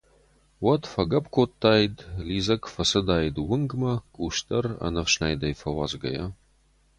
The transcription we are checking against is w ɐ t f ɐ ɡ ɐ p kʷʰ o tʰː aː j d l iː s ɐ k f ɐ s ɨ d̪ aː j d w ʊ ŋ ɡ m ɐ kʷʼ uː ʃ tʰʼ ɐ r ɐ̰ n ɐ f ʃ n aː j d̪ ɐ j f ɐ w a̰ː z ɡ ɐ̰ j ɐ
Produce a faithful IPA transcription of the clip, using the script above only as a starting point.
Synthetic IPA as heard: w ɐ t f ɐ ɡ ɐ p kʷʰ o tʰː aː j d l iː z ɐ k f ɐ s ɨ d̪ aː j d w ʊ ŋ ɡ m ɐ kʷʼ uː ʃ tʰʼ ɐ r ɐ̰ n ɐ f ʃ n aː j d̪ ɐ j f ɐ w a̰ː z ɡ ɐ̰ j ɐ